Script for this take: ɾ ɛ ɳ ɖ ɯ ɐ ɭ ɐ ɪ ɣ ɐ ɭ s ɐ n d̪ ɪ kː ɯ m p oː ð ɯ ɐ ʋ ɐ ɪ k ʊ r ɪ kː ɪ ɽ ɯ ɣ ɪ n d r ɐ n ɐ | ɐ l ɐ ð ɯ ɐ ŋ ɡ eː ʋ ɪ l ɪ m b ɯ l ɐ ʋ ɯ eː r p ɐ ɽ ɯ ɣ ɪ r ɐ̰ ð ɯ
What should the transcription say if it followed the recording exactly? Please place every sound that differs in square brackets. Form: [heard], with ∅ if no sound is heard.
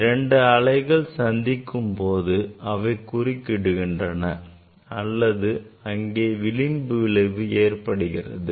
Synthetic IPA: ɾ ɛ ɳ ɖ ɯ ɐ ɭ ɐ ɪ ɣ ɐ ɭ s ɐ n d̪ ɪ kː ɯ m p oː ð ɯ ɐ ʋ ɐ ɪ k ʊ r ɪ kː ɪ ɽ ɯ ɣ ɪ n d r ɐ n ɐ | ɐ [lː] ɐ ð ɯ ɐ ŋ ɡ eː ʋ ɪ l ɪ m b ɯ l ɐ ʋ ɯ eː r p ɐ ɽ ɯ ɣ ɪ r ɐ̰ ð ɯ